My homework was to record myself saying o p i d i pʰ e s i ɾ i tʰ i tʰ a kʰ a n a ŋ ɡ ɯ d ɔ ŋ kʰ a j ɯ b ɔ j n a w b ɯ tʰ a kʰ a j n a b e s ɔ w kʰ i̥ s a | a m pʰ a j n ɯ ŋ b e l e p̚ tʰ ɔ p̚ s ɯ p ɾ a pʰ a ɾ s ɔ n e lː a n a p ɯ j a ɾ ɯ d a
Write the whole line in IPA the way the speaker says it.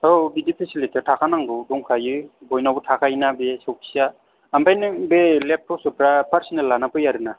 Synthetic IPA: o b i d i pʰ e s i l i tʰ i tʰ a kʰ a n a ŋ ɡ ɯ d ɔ ŋ kʰ a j ɯ b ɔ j n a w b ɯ tʰ a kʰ a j n a b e s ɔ w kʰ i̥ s a | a m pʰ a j n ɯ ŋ b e l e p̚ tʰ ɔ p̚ s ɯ p ɾ a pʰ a ɾ s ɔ n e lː a n a p ɯ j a ɾ ɯ n a